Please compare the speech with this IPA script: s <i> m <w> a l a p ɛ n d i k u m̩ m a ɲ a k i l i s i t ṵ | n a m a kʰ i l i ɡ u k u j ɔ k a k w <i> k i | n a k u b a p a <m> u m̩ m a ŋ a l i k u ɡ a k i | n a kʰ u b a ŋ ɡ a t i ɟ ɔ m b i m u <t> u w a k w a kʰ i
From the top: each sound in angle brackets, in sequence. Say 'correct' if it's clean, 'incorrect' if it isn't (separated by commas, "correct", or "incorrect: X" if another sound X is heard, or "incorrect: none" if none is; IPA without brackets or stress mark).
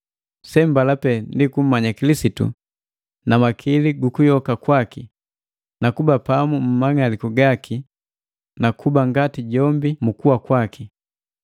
incorrect: ɛ, incorrect: b, incorrect: a, correct, incorrect: k